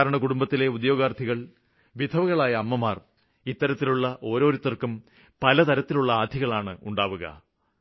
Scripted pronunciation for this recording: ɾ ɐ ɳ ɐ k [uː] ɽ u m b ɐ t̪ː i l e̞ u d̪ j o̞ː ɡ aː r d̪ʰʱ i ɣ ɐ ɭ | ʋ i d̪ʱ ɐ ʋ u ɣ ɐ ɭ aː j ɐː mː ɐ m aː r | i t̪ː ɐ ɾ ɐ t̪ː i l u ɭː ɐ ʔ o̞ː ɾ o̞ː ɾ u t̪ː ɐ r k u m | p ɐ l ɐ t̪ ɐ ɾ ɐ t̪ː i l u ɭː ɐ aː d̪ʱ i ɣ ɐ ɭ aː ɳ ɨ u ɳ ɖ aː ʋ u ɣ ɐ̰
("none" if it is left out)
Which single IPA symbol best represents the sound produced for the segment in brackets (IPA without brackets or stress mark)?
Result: u